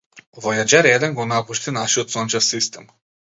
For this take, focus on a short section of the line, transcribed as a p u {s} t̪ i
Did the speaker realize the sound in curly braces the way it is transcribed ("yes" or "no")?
no